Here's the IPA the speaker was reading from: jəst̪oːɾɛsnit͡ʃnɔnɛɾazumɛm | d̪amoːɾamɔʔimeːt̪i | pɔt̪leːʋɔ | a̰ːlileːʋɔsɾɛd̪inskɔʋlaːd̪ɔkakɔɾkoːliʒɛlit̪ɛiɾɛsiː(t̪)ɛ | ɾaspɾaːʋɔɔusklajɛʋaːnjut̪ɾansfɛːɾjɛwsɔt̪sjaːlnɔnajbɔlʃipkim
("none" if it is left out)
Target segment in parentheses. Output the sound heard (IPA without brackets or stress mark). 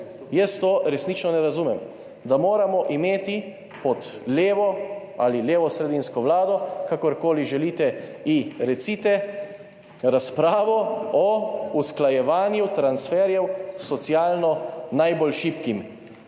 t̪